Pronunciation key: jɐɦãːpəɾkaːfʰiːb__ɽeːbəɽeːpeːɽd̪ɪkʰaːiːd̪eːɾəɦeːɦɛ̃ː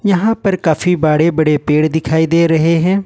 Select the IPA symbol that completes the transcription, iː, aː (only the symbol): aː